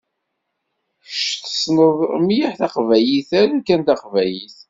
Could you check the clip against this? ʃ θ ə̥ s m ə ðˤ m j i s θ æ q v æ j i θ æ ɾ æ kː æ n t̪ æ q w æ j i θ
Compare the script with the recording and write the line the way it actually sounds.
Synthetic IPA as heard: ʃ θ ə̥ s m ə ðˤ m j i ħ θ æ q v æ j i θ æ ɾ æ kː æ n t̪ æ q v æ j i θ